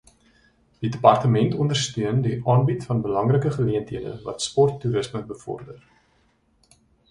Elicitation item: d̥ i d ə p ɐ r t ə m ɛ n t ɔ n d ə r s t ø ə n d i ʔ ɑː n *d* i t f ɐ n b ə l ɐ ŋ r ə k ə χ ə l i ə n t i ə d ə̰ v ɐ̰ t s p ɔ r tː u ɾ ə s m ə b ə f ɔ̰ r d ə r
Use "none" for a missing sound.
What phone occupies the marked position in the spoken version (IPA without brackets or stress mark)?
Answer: b